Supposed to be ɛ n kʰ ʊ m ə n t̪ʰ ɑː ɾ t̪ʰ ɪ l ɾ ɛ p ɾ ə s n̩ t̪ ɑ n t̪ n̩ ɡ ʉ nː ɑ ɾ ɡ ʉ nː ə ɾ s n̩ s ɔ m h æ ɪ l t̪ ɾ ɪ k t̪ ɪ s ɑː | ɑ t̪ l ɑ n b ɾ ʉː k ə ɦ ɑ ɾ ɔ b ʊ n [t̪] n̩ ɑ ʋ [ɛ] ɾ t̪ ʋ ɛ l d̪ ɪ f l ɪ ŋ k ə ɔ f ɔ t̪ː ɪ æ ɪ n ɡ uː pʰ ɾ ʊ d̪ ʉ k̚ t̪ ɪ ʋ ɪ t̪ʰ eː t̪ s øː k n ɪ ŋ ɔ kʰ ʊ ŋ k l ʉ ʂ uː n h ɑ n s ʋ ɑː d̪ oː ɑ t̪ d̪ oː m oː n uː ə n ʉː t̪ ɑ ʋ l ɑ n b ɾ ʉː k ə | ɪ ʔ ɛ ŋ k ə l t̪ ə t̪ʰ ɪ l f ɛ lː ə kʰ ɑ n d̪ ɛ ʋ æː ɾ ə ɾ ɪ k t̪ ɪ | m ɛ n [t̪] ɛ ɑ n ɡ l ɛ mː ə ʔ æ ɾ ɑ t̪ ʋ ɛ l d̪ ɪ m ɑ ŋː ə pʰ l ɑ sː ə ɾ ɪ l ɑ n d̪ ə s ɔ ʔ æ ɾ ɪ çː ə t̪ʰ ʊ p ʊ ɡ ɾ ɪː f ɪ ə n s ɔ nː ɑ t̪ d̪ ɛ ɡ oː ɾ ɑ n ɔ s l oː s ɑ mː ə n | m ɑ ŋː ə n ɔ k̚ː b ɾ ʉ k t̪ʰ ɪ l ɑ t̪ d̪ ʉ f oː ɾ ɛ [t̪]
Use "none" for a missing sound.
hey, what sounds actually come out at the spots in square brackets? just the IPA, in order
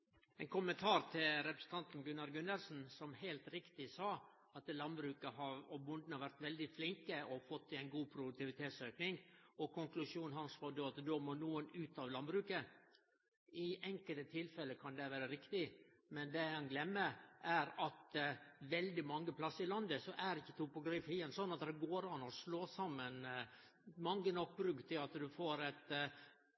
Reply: d̪, æ, d̪, t̪

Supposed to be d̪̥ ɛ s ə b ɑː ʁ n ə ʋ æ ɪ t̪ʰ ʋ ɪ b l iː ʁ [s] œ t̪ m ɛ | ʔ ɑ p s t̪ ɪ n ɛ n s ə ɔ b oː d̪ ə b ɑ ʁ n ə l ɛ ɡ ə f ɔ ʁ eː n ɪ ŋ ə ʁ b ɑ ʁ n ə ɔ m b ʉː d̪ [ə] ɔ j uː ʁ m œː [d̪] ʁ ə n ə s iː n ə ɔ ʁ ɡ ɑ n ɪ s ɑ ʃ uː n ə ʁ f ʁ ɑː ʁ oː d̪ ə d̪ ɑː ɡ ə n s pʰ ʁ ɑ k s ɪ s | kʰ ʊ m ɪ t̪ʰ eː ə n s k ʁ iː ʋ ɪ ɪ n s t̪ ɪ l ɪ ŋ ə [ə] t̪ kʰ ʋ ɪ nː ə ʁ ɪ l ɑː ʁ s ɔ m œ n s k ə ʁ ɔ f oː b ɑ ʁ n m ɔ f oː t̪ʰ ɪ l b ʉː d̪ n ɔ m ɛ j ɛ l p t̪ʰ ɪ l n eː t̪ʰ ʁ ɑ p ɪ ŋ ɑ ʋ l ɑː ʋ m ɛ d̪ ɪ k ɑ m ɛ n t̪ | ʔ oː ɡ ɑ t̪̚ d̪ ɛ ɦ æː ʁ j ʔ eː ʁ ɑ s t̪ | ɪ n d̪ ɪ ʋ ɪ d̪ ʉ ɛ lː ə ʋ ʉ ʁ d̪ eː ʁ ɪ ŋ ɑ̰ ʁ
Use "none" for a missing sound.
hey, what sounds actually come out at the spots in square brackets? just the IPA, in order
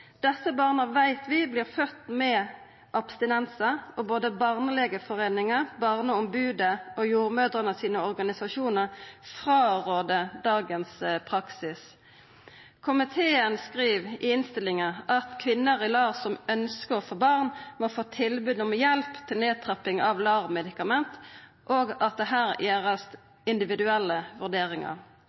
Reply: f, ə, d̪, ɑ

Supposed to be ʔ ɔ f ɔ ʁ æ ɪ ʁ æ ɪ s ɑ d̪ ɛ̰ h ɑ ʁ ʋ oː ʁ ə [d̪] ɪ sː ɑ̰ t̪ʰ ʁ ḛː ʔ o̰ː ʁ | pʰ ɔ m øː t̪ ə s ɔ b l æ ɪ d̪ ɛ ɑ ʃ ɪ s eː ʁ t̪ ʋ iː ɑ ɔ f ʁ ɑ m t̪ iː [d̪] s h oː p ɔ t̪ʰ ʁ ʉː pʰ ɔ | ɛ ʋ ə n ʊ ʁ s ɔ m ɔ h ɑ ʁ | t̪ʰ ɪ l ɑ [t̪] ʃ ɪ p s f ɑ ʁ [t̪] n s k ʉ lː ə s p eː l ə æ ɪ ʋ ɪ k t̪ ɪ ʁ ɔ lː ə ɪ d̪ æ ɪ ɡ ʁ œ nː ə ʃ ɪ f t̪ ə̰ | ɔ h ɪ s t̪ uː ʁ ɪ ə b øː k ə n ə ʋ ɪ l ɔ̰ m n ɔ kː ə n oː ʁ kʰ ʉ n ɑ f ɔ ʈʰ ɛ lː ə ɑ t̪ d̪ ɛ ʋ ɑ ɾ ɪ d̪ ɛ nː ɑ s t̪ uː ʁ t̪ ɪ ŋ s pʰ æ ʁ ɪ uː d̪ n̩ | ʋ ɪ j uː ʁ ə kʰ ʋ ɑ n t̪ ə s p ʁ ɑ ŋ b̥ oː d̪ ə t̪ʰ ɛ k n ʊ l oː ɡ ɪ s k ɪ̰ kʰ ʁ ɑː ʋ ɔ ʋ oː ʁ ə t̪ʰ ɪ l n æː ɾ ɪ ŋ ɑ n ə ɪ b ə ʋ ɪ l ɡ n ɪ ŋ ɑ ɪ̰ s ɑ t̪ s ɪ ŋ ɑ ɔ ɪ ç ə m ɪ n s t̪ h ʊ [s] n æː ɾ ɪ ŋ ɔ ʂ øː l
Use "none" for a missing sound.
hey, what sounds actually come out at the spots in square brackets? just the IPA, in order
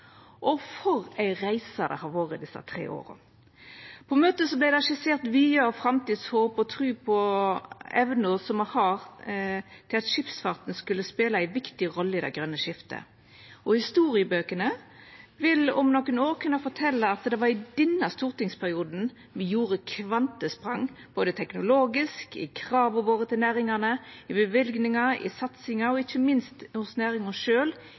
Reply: d̪, d̪, t̪, t̪, s

